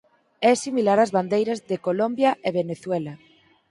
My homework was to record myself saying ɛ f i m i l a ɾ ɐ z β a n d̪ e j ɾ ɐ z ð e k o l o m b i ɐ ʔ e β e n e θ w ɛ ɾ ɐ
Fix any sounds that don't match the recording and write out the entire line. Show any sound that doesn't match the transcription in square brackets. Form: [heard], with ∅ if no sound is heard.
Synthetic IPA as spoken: ɛ [s] i m i l a ɾ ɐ z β a n d̪ e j ɾ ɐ z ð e k o l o m b [j] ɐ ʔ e β e n e θ w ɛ [l] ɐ